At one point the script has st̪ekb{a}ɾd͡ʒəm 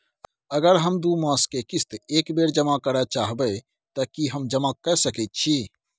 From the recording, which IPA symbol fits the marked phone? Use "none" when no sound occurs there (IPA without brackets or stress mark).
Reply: e